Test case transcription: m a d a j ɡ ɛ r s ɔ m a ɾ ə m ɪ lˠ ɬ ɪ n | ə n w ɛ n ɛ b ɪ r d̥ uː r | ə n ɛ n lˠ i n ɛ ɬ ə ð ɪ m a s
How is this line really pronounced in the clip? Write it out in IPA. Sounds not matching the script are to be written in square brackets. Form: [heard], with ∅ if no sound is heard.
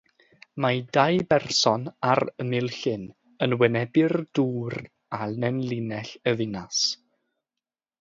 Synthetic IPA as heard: m a d a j [b] ɛ r s ɔ [n] a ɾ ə m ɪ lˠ ɬ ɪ n | ə n w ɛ n ɛ b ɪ r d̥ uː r | [a] n ɛ n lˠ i n ɛ ɬ ə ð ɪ [n] a s